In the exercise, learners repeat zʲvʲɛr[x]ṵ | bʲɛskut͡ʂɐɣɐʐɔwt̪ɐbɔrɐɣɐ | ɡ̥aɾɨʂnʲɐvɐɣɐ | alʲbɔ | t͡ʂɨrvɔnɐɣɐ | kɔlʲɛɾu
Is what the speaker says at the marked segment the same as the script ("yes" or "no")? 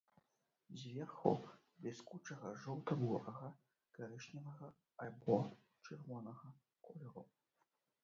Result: yes